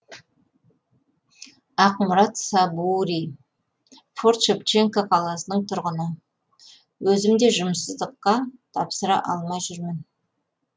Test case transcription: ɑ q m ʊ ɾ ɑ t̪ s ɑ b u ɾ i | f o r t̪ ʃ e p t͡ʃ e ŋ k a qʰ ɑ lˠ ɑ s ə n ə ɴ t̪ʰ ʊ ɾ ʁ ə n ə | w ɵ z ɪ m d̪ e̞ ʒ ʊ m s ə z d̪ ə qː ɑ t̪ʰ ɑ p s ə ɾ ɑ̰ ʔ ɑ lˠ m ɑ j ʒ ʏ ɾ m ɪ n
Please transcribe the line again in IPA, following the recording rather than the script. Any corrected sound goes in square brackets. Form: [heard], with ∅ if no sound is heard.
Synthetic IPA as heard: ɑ q m ʊ ɾ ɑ t̪ s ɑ b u ɾ i | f o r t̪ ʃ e p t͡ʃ e ŋ k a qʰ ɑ lˠ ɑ s ə n ə ɴ t̪ʰ ʊ ɾ ʁ ə n ə | w ɵ z ɪ m d̪ e̞ ʒ ʊ m s ə z d̪ ə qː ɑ t̪ʰ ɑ p s ə ɾ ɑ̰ ʔ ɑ lˠ m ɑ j ʒ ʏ ɾ m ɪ n

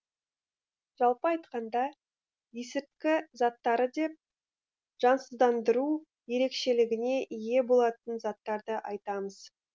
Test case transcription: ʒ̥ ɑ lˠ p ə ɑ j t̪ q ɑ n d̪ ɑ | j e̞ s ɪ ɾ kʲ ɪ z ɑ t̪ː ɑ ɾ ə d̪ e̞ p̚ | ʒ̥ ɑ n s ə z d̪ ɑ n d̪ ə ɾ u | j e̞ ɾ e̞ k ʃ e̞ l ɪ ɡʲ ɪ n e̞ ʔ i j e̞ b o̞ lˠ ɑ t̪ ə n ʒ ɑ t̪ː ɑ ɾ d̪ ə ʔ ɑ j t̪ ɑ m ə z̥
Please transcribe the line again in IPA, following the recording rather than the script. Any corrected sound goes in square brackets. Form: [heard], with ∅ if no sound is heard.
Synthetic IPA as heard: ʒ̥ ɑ lˠ p ə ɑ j t̪ q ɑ n d̪ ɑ | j e̞ s ɪ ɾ kʲ ɪ z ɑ t̪ː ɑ ɾ ə d̪ e̞ p̚ | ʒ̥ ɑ n s ə z d̪ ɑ n d̪ ə ɾ u | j e̞ ɾ e̞ k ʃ e̞ l ɪ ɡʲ ɪ n e̞ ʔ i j e̞ b o̞ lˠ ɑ t̪ ə n [z] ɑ t̪ː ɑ ɾ d̪ ə ʔ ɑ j t̪ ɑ m ə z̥

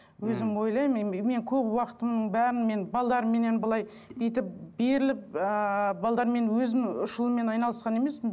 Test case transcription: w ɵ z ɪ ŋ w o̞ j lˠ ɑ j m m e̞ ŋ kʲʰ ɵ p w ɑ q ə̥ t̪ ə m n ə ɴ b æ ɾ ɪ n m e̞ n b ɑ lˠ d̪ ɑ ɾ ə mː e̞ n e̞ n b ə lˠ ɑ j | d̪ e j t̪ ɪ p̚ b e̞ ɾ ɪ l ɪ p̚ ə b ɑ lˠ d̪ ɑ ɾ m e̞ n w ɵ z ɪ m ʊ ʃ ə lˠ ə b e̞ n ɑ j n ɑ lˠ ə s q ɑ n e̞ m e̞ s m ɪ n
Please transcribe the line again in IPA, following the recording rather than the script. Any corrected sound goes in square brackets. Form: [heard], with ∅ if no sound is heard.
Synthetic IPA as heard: w ɵ z ɪ [m] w o̞ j lˠ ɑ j m m e̞ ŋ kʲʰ ɵ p w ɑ q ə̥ t̪ ə m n ə ɴ b æ ɾ ɪ n m e̞ n b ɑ lˠ d̪ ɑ ɾ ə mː e̞ n e̞ n b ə lˠ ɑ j | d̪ e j t̪ ɪ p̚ b e̞ ɾ ɪ l ɪ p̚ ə b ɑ lˠ d̪ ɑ ɾ m e̞ n w ɵ z ɪ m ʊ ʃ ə lˠ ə [m] e̞ n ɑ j n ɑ lˠ ə s q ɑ n e̞ m e̞ s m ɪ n

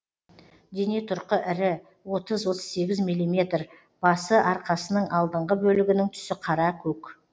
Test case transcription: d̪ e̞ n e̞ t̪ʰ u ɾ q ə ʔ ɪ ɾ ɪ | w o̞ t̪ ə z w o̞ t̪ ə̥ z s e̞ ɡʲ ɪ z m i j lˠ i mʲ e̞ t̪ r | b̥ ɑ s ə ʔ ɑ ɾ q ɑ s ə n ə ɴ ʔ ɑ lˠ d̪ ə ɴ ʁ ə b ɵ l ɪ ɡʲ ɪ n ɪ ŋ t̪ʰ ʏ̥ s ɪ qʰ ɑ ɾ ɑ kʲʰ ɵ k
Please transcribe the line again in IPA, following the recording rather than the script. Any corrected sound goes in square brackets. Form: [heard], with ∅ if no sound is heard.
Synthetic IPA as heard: d̪ e̞ n e̞ t̪ʰ [ʊ] ɾ q ə ʔ ɪ ɾ ɪ | w o̞ t̪ ə z w o̞ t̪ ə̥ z s e̞ ɡʲ ɪ z m i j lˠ i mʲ e̞ t̪ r | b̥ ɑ s ə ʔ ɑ ɾ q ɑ s ə n ə ɴ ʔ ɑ lˠ d̪ ə ɴ ʁ ə b ɵ l ɪ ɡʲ ɪ n ɪ ŋ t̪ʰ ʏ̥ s ɪ qʰ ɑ ɾ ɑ kʲʰ ɵ k

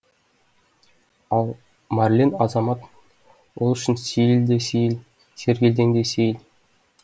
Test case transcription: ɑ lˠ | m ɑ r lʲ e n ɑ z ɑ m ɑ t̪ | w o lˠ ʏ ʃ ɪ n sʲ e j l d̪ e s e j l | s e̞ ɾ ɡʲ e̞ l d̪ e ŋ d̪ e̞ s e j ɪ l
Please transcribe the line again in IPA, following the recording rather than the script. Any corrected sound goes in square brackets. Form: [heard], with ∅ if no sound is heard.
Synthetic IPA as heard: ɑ lˠ | m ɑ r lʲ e n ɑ z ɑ m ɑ t̪ | w o lˠ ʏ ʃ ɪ n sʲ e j l d̪ e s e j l | s e̞ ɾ ɡʲ e̞ l d̪ e ŋ d̪ e̞ s e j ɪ l

